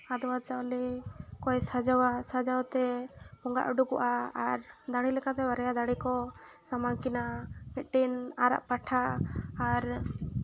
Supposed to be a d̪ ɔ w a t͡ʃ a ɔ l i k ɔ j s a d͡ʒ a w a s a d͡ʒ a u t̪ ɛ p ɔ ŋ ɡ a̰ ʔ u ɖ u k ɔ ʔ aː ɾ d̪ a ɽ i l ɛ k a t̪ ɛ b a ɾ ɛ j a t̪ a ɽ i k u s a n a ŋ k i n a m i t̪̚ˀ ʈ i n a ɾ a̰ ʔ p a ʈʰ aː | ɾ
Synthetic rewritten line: a d̪ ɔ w a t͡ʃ a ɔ l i k ɔ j s a d͡ʒ a w a s a d͡ʒ a w t̪ ɛ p ɔ ŋ ɡ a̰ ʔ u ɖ u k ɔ ʔ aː ɾ d̪ a ɽ i l ɛ k a t̪ ɛ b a ɾ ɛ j a d̪ a ɽ i k ɔ s a m a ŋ k i n a m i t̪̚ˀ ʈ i n a ɾ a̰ ʔ p a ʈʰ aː | ɾ